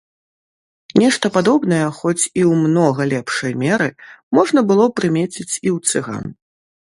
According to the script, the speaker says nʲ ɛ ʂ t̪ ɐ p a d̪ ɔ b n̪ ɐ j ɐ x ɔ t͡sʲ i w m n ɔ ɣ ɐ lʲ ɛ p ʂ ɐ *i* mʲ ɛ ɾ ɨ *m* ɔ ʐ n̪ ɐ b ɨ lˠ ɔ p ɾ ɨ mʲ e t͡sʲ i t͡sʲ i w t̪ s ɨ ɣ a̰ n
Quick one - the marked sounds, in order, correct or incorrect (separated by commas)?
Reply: incorrect, correct